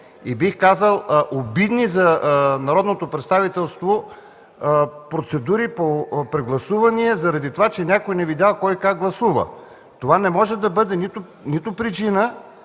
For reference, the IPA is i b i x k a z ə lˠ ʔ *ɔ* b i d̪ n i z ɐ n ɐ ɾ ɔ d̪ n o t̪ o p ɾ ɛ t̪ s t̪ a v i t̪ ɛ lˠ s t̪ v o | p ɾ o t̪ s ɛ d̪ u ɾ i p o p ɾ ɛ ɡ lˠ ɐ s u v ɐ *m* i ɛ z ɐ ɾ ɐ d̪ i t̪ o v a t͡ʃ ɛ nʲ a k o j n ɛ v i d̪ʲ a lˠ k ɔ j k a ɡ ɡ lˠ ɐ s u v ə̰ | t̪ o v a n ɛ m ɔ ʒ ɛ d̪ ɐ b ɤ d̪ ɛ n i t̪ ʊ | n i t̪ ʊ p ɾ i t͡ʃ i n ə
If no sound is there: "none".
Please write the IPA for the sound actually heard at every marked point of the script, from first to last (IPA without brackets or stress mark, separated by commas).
o, n